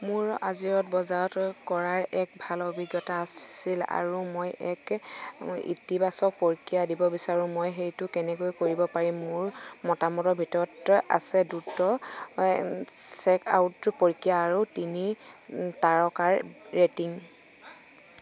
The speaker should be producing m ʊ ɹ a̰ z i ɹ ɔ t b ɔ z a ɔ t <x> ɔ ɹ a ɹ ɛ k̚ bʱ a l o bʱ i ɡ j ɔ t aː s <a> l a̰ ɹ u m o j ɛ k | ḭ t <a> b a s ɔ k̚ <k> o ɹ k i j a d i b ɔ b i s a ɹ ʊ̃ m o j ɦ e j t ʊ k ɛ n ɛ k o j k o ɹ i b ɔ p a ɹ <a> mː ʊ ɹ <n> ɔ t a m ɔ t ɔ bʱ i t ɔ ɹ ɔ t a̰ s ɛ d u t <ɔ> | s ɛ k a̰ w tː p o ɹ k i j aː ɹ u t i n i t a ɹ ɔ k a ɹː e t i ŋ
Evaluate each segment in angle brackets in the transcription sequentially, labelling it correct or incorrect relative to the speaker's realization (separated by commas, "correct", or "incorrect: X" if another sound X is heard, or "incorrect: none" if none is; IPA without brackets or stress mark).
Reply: incorrect: k, incorrect: i, incorrect: i, incorrect: p, incorrect: i, incorrect: m, correct